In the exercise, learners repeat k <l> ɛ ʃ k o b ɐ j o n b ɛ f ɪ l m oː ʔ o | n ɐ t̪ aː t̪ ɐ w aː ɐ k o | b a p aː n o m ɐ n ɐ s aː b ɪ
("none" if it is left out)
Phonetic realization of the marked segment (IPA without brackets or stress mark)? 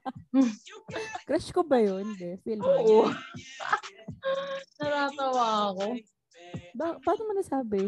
ɾ